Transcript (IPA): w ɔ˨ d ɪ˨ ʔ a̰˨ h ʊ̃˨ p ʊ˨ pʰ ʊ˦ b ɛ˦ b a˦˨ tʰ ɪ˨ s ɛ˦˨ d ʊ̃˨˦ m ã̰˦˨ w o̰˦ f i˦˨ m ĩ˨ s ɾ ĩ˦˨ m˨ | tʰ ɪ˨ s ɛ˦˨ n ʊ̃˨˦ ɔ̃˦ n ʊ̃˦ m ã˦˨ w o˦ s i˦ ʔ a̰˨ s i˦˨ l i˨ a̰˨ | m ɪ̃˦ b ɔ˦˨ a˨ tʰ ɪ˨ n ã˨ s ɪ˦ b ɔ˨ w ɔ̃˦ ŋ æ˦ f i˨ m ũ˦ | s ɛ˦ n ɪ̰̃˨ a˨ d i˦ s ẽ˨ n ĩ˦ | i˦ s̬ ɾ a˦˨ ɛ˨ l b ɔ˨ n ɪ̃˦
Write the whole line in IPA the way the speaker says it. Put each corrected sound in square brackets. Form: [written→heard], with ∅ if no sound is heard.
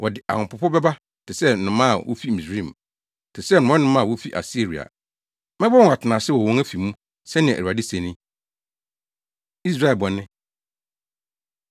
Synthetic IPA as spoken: w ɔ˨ d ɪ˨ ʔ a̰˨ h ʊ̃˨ p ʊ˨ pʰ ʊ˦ b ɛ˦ b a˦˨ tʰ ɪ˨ s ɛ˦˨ [d→n] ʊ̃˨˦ m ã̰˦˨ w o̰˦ f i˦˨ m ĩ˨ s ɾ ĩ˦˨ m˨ | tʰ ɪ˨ s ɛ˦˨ n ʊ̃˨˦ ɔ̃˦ n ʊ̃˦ m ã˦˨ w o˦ [s→f] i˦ ʔ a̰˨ s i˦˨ [l→ɾ] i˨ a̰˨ | m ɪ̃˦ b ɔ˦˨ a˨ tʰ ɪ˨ n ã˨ s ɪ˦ [b→w] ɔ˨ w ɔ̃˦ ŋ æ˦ f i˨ m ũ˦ | s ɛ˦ n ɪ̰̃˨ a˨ d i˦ s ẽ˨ n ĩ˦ | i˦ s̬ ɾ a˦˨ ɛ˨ l b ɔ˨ n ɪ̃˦

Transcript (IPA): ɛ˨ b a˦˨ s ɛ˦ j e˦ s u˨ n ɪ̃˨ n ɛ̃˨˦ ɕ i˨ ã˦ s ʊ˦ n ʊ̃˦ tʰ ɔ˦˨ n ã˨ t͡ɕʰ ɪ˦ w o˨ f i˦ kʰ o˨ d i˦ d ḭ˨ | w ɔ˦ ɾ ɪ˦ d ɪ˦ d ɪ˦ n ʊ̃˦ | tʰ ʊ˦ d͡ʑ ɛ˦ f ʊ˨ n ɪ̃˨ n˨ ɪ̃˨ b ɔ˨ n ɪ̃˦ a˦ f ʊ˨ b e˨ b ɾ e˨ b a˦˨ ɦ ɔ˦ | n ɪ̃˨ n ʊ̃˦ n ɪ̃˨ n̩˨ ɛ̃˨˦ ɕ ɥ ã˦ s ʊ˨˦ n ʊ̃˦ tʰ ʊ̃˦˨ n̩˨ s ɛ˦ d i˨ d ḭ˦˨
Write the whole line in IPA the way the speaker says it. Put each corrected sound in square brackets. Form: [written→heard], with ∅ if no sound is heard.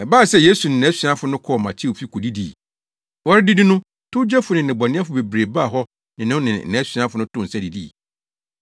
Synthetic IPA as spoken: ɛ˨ b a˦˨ s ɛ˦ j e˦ s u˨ n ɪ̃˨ n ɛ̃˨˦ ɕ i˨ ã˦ [s→f] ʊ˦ n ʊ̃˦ [tʰ→kʰ] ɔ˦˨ [n→m] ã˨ t͡ɕʰ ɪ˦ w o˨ f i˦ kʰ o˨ d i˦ d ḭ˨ | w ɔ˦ ɾ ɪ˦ d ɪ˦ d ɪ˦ n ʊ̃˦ | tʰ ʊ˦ d͡ʑ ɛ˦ f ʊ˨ n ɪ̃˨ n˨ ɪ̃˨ b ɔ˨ n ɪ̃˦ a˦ f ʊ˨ b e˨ b ɾ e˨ b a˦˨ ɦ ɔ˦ | n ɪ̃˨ n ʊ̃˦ n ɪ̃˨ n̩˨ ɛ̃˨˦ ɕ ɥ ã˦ [s→f] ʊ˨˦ n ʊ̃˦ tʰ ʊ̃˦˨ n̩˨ s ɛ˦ d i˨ d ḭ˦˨

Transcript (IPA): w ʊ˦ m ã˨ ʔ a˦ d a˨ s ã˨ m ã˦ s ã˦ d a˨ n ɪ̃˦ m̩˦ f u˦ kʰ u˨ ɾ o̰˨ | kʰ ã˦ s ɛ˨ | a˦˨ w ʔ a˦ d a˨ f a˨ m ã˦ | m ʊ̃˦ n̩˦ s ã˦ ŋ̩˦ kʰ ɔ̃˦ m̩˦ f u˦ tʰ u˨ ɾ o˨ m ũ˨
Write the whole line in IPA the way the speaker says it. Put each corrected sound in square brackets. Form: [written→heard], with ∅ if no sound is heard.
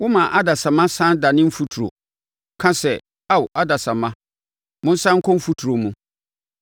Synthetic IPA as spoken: w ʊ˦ m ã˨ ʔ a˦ d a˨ s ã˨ m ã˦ s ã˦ d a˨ n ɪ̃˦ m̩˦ f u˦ [kʰ→tʰ] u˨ ɾ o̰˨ | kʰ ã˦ s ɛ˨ | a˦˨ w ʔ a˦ d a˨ [f→s] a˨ m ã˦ | m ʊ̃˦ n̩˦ s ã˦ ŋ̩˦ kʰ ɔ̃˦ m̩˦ f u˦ tʰ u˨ ɾ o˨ m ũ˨

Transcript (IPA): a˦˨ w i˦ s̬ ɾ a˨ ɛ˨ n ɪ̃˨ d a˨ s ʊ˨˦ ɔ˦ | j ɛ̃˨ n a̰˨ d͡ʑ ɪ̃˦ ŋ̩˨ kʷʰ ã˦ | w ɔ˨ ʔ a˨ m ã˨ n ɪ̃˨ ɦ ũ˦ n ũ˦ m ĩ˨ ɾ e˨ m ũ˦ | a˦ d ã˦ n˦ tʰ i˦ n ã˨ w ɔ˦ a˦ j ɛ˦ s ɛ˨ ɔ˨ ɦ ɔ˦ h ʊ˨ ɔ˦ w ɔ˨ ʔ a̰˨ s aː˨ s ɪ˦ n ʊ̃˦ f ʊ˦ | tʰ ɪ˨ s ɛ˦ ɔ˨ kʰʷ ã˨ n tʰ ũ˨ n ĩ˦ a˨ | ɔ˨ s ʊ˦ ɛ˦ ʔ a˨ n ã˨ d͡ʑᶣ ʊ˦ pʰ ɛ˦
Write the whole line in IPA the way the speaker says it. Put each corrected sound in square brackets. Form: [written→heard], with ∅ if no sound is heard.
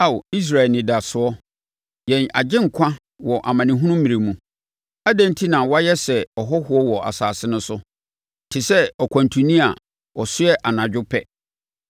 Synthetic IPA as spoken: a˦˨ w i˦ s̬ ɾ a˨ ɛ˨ n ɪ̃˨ d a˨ s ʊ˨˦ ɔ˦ | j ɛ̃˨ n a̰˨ d͡ʑ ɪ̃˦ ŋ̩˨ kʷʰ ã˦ | w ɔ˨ ʔ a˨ m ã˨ n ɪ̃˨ ɦ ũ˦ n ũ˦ m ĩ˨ ɾ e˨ m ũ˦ | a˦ d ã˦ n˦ tʰ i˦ n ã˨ w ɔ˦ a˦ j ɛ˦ s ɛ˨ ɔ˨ ɦ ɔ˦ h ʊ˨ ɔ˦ w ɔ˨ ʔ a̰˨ s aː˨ s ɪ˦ n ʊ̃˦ [f→s] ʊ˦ | tʰ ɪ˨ s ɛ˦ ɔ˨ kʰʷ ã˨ n tʰ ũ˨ n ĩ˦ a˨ | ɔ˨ s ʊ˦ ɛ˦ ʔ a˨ n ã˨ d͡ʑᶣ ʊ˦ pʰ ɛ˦

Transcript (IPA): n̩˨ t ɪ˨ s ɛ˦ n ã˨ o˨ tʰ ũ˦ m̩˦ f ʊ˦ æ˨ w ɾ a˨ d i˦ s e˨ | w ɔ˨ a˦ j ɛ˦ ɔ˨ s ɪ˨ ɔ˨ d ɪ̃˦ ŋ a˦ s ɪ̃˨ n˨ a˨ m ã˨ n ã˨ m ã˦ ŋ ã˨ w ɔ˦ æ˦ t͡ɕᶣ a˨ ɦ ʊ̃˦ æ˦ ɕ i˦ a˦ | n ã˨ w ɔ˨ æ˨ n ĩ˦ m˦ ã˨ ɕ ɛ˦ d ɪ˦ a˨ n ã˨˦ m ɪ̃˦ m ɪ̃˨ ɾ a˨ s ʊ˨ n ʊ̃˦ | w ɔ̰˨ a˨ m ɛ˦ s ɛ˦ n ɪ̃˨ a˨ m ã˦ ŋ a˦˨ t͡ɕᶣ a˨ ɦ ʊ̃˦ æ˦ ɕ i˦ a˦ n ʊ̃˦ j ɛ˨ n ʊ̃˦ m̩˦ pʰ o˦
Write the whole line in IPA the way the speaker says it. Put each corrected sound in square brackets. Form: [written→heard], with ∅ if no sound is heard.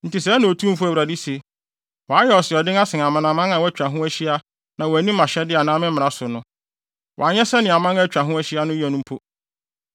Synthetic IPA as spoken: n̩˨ t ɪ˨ s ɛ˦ n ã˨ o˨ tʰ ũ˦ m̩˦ f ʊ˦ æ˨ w ɾ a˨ d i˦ s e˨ | w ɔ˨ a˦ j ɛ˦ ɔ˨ s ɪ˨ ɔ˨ d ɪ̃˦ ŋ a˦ s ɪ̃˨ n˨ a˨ m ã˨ n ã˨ m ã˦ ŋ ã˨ w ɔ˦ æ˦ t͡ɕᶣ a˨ ɦ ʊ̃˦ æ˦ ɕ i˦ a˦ | n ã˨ w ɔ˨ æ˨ n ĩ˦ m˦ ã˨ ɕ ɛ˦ d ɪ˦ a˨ n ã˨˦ m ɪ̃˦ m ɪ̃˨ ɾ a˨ s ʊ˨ n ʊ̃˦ | w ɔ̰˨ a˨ [m→ɲ] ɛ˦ s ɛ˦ n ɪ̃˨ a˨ m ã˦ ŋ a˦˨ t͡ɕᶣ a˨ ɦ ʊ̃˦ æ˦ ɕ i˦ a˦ n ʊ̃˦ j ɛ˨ n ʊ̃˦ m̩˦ pʰ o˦

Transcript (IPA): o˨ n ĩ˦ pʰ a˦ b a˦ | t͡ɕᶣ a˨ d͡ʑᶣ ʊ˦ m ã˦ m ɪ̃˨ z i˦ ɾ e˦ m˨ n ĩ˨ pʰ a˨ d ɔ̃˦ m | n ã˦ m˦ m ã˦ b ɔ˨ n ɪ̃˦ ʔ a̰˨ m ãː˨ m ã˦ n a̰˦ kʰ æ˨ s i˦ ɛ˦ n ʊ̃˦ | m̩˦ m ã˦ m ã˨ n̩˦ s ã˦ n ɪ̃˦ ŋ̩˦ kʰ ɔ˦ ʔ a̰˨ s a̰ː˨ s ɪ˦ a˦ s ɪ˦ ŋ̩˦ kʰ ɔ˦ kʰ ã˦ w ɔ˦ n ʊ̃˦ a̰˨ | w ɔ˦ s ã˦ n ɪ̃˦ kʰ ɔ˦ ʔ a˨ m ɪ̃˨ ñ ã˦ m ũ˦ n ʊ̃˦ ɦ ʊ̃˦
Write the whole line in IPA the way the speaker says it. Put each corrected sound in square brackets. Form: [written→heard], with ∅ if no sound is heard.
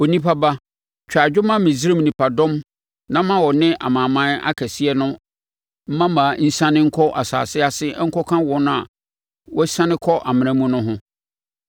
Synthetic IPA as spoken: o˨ n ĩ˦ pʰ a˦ b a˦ | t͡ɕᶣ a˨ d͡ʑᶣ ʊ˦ m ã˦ m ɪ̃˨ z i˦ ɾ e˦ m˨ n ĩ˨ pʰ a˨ d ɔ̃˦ m | n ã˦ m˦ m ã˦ [b→w] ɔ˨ n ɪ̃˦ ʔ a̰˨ m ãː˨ m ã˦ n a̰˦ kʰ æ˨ s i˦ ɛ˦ n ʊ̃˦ | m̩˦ m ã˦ m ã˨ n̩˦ s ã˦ n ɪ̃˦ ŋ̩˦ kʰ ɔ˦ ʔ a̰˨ s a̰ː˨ s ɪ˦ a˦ s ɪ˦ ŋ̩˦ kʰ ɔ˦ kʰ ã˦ w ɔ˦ n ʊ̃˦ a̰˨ | w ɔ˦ s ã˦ n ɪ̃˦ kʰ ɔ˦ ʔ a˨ m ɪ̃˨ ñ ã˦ m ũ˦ n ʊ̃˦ ɦ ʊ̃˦

